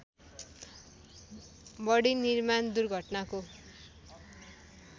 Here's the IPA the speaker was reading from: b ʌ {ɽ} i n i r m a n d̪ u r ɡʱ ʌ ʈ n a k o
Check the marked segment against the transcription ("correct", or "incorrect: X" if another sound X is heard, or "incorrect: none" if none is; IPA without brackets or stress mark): correct